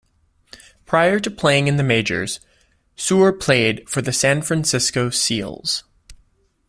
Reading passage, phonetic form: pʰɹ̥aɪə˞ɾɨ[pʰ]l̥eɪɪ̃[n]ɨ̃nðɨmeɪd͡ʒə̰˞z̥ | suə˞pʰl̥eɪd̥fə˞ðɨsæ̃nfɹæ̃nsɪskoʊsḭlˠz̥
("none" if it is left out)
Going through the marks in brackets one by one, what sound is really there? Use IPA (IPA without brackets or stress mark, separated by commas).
pʰ, ŋ